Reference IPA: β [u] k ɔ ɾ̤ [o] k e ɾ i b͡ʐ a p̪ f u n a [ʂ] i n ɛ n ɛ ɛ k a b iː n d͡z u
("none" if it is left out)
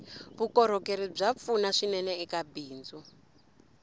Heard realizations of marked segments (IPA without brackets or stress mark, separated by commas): u, ɔ, ʂ